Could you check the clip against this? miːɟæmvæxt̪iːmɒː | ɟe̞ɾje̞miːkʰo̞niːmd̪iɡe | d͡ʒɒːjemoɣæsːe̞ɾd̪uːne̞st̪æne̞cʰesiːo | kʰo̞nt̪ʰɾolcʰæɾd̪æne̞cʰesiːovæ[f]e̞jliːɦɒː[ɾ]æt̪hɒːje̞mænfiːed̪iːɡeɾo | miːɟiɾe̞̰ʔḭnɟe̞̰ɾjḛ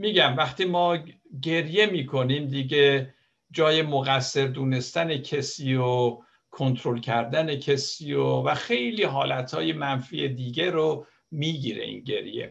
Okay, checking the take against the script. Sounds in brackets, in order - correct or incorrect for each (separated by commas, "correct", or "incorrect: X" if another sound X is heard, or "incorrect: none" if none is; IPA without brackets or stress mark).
incorrect: x, incorrect: l